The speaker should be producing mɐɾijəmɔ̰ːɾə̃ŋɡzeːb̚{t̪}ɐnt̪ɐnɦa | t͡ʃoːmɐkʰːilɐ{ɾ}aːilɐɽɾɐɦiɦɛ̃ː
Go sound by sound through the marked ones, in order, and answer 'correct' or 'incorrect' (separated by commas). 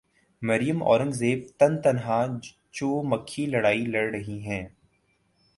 correct, incorrect